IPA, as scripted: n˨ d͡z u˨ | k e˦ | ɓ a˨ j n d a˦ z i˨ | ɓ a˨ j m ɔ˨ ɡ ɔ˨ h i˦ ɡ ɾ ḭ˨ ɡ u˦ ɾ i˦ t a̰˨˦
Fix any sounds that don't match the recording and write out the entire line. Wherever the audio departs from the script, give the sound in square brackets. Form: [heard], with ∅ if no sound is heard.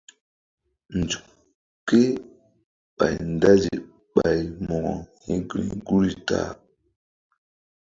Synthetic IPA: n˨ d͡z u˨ | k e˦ | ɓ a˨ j n d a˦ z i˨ | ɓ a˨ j m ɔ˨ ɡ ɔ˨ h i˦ ɡ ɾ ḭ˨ ɡ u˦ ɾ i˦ t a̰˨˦